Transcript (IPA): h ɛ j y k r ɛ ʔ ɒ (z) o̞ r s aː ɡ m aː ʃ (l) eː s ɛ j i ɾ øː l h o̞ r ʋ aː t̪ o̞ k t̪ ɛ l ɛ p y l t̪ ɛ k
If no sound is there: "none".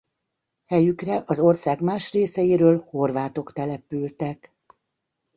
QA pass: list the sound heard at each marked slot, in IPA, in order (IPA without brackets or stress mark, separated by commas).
z, r